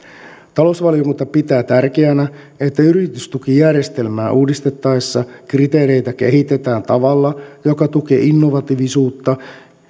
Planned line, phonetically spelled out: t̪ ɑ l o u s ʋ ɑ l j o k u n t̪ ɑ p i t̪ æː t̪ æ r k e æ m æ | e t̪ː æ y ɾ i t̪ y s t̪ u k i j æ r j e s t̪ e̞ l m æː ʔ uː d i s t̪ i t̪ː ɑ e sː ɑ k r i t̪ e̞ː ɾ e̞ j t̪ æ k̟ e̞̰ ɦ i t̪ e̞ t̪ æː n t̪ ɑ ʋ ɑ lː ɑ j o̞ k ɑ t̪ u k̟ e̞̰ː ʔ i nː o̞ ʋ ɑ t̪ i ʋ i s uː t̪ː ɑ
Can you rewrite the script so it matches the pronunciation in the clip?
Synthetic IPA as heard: t̪ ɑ l o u s ʋ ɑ l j o k u n t̪ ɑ p i t̪ æː t̪ æ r k e æ n æ | e t̪ː æ y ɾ i t̪ y s t̪ u k i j æ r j e s t̪ e̞ l m æː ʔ uː d i s t̪ e t̪ː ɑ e sː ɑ k r i t̪ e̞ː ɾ e̞ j t̪ æ k̟ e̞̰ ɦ i t̪ e̞ t̪ æː n t̪ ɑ ʋ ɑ lː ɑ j o̞ k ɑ t̪ u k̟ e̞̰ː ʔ i nː o̞ ʋ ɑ t̪ i ʋ i s uː t̪ː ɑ